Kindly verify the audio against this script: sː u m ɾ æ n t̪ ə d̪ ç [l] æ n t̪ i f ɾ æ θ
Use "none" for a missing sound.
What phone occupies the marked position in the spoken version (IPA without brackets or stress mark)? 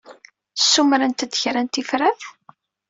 ɾ